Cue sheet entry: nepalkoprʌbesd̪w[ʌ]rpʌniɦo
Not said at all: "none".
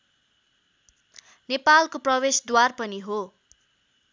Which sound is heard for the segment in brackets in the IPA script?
a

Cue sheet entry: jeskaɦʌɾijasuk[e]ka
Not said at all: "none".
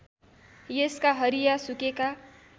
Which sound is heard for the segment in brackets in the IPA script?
e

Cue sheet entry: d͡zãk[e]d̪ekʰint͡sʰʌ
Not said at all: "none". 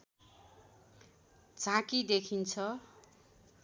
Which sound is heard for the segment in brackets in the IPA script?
i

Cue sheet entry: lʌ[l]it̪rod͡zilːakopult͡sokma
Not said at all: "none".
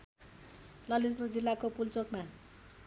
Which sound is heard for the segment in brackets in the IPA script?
l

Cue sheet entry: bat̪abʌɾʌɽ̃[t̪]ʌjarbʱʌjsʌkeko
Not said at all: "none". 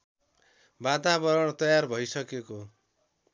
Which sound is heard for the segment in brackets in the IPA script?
t̪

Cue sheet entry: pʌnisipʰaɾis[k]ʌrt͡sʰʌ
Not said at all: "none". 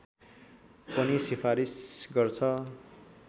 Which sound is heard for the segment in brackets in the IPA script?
ɡ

